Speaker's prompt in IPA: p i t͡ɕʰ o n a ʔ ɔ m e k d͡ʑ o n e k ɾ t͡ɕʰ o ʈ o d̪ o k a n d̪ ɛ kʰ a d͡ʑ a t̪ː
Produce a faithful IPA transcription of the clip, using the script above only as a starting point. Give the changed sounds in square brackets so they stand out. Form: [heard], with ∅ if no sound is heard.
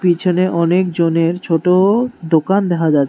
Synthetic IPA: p i t͡ɕʰ o n [e] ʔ ɔ [n] e k d͡ʑ o n e [∅] ɾ t͡ɕʰ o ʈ o d̪ o k a n d̪ ɛ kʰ a d͡ʑ a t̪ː